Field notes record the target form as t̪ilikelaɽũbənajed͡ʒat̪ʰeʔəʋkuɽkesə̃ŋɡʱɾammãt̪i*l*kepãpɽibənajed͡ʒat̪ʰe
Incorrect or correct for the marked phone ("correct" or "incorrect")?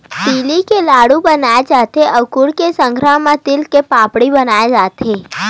correct